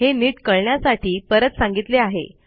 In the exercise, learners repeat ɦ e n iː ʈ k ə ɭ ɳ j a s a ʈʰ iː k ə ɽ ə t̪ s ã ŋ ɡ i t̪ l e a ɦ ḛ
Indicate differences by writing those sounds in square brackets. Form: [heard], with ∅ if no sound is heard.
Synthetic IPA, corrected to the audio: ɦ e n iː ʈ k ə ɭ ɳ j a s a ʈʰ iː [p] ə [ɾ] ə t̪ s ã ŋ ɡ i t̪ l e a ɦ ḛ